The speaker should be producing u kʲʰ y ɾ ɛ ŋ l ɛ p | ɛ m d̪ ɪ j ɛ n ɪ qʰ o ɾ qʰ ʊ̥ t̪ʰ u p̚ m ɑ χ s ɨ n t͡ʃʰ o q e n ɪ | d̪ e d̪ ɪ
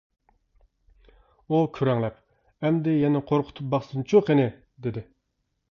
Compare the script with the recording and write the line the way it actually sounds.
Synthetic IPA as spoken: u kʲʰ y ɾ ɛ ŋ l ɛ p | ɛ m d̪ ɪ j ɛ n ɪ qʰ o ɾ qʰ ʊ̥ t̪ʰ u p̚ b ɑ χ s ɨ n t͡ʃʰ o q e n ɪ | d̪ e d̪ ɪ